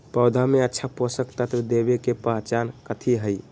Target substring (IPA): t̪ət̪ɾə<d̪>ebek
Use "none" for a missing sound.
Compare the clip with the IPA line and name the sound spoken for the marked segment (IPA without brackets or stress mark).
d̪